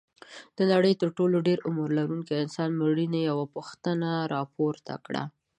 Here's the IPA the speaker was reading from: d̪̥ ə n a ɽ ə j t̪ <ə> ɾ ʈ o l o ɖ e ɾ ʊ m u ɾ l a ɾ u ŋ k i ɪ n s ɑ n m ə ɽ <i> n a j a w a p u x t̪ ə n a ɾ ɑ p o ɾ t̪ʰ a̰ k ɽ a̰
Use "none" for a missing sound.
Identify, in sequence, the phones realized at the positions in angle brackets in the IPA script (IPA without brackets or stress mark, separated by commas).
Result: ə, i